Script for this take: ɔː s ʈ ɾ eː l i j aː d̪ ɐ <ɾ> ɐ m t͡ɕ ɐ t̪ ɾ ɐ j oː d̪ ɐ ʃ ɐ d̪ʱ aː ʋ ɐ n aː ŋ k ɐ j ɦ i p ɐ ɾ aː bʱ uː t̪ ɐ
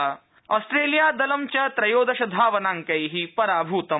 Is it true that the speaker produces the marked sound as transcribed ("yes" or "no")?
no